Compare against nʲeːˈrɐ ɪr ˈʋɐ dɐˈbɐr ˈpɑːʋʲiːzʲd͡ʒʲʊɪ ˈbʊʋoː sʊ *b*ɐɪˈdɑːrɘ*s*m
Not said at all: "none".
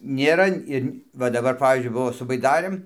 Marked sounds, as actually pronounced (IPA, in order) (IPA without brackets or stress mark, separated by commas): b, none